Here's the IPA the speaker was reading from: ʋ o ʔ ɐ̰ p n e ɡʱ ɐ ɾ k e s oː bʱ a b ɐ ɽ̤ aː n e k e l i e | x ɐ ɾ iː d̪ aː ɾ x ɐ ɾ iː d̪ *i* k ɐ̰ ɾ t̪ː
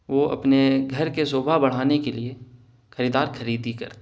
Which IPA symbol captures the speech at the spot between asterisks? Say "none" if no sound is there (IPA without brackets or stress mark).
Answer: i